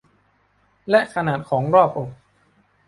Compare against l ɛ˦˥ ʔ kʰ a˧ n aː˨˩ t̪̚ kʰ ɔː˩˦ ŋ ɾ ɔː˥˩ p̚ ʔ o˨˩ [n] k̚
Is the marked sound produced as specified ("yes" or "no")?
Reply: no